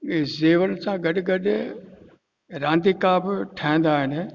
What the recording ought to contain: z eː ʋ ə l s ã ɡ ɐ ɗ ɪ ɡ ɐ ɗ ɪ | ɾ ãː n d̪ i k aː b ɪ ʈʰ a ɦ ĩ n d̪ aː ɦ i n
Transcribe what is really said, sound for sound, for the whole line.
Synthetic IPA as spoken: z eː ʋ ə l s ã ɡ ɐ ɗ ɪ ɡ ɐ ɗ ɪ | ɾ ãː n d̪ i k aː b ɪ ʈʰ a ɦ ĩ n d̪ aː ɦ ɪ n